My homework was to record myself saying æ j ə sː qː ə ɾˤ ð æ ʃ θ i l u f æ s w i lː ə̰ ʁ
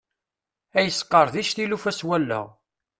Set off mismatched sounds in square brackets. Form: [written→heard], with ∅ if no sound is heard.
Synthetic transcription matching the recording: æ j ə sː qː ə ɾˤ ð [æ→i] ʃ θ i l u f æ s w [i→æ] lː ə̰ ʁ